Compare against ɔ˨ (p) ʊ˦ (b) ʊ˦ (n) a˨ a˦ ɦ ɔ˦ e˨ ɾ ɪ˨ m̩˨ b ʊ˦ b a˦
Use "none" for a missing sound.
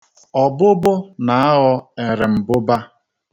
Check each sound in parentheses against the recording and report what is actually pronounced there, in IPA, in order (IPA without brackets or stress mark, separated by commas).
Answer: b, b, n